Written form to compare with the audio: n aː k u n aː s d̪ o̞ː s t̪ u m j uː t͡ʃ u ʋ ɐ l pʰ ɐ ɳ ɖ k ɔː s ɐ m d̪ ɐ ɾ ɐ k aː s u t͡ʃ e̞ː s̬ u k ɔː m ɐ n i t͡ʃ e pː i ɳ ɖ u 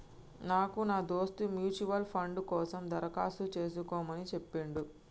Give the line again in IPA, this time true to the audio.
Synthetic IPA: n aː k u n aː d̪ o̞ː s t̪ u m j uː t͡ʃ u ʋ ɐ l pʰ ɐ ɳ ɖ k ɔː s ɐ m d̪ ɐ ɾ ɐ k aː s u t͡ʃ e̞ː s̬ u k ɔː m ɐ n i t͡ʃ e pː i ɳ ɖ u